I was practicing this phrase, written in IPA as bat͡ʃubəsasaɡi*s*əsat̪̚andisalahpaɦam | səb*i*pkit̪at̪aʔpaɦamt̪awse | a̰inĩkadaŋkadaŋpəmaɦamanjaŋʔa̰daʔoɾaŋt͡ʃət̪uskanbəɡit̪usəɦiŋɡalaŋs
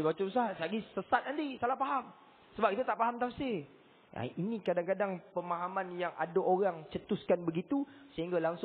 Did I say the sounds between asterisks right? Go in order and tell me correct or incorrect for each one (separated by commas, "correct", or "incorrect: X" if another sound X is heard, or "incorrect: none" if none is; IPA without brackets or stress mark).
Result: correct, incorrect: a